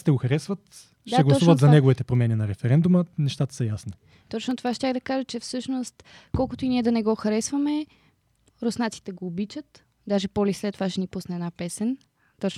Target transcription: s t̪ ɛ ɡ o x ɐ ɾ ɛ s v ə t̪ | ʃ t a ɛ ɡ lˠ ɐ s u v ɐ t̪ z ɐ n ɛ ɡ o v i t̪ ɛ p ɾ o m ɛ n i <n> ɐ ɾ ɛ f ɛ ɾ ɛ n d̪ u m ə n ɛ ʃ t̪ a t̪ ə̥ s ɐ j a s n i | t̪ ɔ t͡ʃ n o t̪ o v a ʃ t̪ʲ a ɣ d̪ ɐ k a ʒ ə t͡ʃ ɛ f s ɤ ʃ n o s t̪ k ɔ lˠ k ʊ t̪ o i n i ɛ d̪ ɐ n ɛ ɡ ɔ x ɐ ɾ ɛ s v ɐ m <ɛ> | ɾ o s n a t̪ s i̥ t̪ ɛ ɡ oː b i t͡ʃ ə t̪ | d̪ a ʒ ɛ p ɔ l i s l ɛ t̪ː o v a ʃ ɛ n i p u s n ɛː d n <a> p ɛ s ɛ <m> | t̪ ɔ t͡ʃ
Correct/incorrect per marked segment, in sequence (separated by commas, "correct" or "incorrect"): correct, correct, correct, incorrect